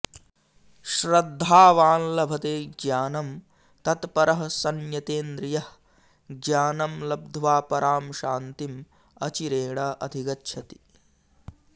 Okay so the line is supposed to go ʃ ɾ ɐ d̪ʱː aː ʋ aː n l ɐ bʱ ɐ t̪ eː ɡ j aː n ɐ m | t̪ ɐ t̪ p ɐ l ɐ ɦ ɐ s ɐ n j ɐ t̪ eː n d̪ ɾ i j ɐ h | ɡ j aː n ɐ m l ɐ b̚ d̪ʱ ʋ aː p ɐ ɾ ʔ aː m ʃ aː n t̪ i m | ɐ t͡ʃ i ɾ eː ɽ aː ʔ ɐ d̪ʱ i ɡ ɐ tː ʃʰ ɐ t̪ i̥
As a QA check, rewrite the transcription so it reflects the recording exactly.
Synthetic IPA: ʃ ɾ ɐ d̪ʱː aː ʋ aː n l ɐ bʱ ɐ t̪ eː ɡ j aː n ɐ m | t̪ ɐ t̪ p ɐ ɾ ɐ ɦ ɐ s ɐ n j ɐ t̪ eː n d̪ ɾ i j ɐ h | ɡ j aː n ɐ m l ɐ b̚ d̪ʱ ʋ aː p ɐ ɾ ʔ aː m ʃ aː n t̪ i m | ɐ t͡ʃ i ɾ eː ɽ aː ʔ ɐ d̪ʱ i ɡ ɐ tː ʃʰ ɐ t̪ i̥

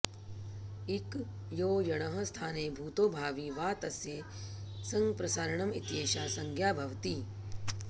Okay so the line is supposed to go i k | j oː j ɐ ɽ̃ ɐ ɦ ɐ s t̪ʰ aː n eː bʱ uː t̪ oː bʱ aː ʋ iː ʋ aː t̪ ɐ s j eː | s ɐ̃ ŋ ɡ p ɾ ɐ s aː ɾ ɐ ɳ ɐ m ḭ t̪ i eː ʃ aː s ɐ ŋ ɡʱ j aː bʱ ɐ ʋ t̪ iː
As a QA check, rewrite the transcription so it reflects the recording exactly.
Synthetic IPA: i k | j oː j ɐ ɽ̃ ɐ ɦ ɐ s t̪ʰ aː n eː bʱ uː t̪ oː bʱ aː ʋ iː ʋ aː t̪ ɐ s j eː | s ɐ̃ ŋ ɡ p ɾ ɐ s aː ɾ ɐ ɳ ɐ m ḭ t̪ j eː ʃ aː s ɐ ŋ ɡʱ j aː bʱ ɐ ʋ t̪ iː

